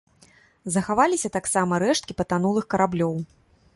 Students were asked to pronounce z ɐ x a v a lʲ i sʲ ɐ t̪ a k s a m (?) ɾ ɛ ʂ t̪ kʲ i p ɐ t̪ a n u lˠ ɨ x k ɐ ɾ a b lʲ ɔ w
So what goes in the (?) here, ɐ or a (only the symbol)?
ɐ